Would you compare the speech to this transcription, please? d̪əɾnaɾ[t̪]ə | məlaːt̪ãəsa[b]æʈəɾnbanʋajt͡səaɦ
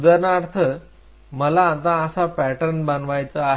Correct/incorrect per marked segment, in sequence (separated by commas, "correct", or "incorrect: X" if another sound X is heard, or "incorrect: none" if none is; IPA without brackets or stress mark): incorrect: t̪ʰ, incorrect: p